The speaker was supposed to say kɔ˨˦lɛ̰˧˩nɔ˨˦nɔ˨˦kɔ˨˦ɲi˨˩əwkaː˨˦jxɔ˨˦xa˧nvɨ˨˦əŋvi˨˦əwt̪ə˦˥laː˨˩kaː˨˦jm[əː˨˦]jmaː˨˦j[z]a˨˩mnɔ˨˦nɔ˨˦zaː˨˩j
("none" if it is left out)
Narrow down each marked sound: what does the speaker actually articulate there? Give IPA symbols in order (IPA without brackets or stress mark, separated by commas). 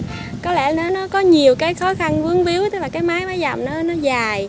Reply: aː˨˦, z